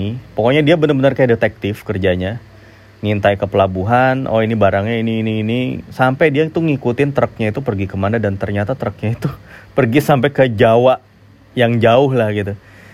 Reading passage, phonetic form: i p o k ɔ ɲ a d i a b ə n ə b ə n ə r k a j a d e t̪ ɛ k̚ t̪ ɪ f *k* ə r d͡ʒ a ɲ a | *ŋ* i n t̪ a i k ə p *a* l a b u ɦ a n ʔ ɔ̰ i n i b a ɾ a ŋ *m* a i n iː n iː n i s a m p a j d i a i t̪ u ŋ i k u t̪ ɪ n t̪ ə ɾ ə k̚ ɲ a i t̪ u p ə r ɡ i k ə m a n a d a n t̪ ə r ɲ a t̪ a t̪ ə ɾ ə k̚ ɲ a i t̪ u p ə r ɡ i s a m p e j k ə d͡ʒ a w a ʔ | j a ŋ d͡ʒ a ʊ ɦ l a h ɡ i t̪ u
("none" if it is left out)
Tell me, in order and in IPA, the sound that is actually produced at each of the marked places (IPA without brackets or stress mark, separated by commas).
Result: k, ŋ, ə, ɲ